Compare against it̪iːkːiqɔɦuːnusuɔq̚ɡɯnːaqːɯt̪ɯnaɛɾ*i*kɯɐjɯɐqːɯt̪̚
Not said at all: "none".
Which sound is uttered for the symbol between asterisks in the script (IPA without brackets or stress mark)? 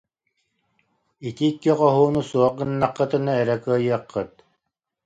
ɛ